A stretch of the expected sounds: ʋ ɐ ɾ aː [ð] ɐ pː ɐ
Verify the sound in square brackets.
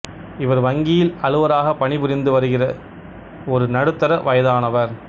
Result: incorrect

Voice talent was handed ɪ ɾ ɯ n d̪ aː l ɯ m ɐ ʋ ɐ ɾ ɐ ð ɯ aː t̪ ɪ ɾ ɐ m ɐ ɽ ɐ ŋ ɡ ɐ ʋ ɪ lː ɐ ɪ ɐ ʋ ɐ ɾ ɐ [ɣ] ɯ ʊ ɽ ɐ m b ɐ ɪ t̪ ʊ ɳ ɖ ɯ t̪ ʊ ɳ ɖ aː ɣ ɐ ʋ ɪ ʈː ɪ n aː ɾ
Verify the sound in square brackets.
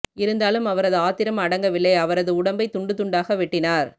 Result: incorrect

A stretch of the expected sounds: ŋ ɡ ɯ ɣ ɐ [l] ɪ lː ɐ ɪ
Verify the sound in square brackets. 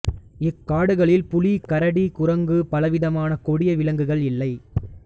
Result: incorrect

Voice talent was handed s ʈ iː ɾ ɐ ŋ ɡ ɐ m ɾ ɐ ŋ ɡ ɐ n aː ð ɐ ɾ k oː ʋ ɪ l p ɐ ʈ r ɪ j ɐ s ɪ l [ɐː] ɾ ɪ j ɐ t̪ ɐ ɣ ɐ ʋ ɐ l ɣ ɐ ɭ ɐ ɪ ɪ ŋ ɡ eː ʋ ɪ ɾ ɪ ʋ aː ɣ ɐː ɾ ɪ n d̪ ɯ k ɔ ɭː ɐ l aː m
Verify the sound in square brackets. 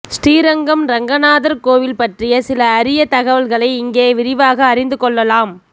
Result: correct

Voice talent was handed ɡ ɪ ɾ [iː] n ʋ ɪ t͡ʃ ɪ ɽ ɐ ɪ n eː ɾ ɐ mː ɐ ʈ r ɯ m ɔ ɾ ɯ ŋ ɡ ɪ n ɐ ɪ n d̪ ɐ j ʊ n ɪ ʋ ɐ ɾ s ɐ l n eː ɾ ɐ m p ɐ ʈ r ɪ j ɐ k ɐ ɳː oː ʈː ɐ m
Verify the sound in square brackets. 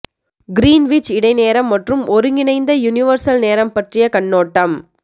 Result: correct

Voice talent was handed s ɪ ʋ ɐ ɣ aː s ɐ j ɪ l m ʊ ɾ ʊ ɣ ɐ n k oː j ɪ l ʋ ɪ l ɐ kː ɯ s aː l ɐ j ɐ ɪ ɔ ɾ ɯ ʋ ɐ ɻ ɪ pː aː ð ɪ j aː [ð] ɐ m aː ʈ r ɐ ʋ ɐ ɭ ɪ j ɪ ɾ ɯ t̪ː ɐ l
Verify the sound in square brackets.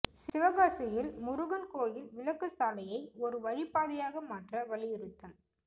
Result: incorrect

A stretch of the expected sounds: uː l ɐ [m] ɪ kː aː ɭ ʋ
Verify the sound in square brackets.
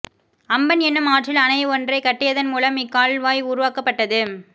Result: correct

